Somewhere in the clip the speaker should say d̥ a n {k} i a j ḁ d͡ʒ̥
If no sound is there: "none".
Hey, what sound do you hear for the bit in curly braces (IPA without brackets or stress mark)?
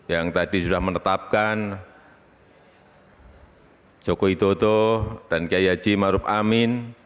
k